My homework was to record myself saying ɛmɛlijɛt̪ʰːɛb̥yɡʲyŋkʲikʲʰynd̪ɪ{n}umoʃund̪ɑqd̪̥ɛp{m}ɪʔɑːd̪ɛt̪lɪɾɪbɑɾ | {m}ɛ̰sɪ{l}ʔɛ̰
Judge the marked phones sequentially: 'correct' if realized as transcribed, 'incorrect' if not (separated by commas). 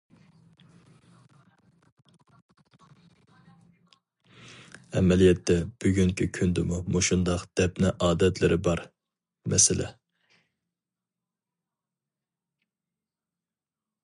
incorrect, incorrect, correct, correct